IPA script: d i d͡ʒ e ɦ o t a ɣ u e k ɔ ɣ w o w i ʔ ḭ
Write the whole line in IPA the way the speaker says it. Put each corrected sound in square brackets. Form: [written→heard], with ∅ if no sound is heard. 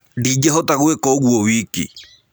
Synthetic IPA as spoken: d i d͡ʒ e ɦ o t a ɣ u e k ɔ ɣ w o w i [ʔ→k] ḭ